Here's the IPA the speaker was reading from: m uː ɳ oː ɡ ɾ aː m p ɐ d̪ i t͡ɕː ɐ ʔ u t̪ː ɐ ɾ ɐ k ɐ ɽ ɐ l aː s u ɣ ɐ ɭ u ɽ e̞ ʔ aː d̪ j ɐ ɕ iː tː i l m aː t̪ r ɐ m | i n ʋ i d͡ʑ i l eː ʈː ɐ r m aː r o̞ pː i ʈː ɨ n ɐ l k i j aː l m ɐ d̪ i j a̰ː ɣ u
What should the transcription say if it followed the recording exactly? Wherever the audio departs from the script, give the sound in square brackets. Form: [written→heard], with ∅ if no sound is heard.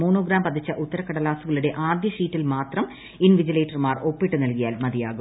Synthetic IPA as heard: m uː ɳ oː ɡ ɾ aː m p ɐ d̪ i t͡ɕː ɐ ʔ u t̪ː ɐ ɾ ɐ k ɐ ɽ ɐ l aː s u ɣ ɐ ɭ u ɽ e̞ ʔ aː d̪ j ɐ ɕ iː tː i l m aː t̪ r ɐ m | i n ʋ i d͡ʑ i l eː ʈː ɐ r m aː r o̞ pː i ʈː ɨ n ɐ l k i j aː l m ɐ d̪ i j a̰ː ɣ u